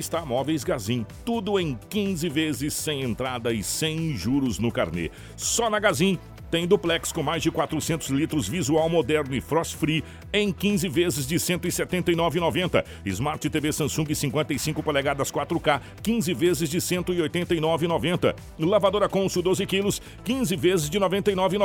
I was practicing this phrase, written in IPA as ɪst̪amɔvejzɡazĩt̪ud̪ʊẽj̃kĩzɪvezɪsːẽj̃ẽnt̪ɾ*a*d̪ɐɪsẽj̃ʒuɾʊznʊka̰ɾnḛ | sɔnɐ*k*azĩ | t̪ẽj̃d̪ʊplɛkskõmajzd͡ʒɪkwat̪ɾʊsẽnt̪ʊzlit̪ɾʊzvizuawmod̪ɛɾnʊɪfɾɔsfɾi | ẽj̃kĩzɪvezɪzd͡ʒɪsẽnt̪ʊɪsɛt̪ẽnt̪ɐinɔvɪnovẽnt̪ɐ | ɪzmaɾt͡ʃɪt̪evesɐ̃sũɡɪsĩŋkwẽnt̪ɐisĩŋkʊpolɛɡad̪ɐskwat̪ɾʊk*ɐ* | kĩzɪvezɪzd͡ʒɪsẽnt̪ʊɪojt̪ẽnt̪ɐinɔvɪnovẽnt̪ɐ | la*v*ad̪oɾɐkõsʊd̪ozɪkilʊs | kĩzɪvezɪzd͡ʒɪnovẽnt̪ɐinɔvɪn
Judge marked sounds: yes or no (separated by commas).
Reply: yes, no, no, yes